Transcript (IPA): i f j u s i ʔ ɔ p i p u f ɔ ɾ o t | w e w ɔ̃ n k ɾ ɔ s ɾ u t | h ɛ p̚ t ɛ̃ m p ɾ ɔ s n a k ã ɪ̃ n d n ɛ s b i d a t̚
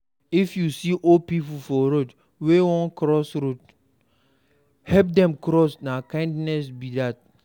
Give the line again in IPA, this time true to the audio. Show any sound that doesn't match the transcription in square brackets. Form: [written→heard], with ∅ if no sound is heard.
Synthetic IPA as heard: i f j u s i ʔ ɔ p i p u f ɔ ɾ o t | w e w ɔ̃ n k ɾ ɔ s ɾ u t | h ɛ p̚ [t→d] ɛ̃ m [p→k] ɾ ɔ s n a k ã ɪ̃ n d n ɛ s b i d a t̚